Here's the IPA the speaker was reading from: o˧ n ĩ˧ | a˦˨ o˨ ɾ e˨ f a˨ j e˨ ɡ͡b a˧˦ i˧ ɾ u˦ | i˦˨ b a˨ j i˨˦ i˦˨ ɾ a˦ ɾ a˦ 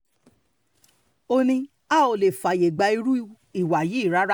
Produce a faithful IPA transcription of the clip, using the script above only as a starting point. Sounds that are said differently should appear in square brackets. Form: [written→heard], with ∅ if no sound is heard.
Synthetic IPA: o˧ n ĩ˧ | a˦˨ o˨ [ɾ→l] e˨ f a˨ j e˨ ɡ͡b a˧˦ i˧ ɾ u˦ | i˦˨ [b→w] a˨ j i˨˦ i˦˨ ɾ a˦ ɾ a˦